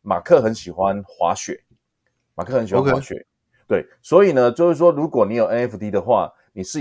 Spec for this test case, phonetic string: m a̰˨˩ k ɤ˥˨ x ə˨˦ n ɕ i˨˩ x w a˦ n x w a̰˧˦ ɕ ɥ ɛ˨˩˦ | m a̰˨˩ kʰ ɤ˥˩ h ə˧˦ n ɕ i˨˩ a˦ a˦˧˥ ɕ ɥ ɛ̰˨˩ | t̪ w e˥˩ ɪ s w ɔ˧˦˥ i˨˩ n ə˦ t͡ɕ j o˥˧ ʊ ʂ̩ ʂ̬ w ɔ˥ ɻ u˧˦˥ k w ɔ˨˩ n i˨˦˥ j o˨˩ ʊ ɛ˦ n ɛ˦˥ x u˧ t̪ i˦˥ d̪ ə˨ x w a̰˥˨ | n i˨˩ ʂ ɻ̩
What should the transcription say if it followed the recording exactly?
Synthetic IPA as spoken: m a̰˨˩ kʰ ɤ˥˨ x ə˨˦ n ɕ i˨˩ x w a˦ n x w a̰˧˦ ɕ ɥ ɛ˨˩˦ | m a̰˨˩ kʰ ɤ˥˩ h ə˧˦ n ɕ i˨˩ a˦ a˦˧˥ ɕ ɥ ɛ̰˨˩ | t̪ w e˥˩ ɪ s w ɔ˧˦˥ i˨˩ n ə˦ t͡ɕ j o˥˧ ʊ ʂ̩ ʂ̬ w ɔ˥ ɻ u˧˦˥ k w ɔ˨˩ n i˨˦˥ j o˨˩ ʊ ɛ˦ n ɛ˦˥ f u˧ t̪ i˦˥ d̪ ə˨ x w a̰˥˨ | n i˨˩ ʂ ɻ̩